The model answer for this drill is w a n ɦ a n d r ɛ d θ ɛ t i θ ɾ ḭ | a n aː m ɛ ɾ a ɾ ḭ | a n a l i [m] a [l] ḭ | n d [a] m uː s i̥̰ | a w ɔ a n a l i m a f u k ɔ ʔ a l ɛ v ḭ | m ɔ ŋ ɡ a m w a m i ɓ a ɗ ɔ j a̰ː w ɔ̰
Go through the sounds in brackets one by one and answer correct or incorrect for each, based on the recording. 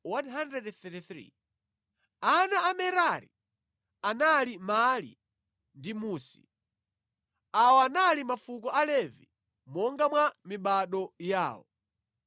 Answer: correct, correct, incorrect: i

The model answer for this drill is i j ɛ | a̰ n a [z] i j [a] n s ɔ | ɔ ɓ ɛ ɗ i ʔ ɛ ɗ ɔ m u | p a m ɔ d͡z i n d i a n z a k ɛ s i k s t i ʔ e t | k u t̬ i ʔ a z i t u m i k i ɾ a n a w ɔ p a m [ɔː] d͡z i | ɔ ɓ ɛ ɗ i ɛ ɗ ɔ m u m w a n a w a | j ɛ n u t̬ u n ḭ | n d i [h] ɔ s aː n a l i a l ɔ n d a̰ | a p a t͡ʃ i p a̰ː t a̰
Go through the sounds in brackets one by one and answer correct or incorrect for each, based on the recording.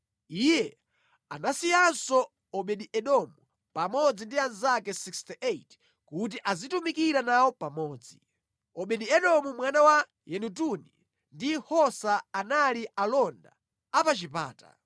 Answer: incorrect: s, correct, correct, correct

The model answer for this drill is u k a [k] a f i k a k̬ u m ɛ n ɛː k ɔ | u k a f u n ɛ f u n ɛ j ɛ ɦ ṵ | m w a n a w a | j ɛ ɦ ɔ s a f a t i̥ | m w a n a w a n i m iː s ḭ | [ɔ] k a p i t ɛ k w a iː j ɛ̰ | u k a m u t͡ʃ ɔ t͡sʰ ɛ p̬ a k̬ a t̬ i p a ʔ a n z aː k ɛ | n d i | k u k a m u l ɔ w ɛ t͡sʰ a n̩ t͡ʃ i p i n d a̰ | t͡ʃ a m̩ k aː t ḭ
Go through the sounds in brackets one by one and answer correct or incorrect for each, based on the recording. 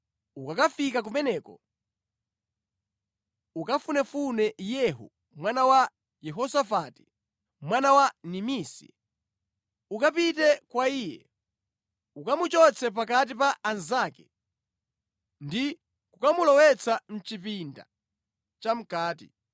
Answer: correct, incorrect: u

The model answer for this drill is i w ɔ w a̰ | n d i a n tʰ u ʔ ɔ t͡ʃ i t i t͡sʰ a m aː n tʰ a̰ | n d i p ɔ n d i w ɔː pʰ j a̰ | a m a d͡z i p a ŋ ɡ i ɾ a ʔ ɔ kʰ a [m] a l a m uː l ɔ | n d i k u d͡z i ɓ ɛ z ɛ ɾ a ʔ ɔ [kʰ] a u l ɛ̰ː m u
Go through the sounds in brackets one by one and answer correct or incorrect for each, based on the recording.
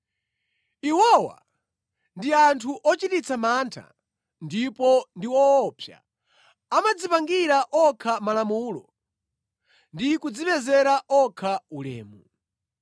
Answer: correct, correct

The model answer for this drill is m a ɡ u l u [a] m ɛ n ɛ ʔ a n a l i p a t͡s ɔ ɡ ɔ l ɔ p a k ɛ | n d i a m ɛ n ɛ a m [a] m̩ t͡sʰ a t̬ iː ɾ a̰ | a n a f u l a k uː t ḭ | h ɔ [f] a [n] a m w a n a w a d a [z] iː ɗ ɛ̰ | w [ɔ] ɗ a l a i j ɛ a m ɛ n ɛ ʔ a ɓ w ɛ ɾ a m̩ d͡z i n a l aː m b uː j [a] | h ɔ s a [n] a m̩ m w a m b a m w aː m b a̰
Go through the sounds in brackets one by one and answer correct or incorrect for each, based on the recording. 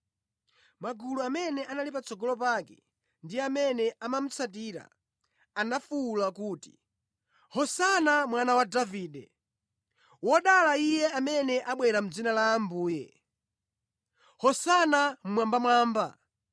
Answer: correct, correct, incorrect: s, correct, incorrect: v, correct, incorrect: ɛ, correct

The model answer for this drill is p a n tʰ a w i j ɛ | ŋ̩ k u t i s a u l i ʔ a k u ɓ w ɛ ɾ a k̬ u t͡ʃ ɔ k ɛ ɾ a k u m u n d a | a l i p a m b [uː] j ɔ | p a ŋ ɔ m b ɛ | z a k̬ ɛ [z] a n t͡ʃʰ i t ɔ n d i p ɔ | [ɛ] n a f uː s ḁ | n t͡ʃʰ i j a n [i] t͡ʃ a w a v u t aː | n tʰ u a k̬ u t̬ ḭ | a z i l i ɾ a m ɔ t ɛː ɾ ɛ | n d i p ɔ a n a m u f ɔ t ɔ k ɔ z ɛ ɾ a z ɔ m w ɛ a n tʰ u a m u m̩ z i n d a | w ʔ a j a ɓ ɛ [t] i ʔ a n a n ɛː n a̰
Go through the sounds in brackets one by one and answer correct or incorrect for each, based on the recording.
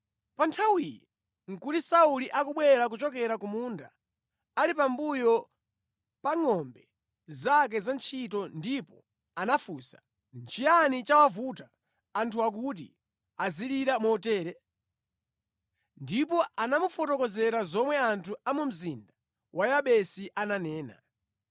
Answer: incorrect: u, correct, incorrect: a, correct, incorrect: s

